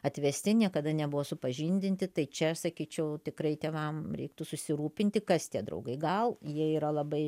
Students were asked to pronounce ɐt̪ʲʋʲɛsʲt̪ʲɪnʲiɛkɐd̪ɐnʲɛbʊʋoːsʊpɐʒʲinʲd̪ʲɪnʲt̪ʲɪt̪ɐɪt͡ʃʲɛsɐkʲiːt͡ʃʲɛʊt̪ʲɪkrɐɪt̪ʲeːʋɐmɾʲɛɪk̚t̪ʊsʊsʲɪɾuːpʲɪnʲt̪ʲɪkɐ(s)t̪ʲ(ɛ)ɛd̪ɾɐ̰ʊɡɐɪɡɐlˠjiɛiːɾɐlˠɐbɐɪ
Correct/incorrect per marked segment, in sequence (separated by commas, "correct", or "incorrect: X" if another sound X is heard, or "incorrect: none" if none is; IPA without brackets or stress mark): correct, incorrect: i